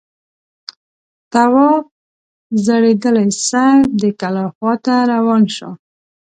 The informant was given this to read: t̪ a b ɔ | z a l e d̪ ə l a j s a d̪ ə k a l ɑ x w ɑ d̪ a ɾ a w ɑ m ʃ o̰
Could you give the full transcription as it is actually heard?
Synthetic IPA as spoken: t̪ a w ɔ | z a ɽ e d̪ ə l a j s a d̪ ə k a l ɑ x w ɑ t̪ a ɾ a w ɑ n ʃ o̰